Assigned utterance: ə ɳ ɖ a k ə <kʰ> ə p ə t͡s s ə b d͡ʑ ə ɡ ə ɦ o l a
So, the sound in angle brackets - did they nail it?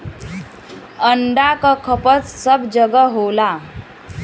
yes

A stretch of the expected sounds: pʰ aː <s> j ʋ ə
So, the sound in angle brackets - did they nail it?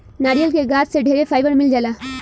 no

